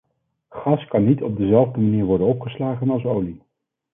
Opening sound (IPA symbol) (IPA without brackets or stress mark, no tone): χ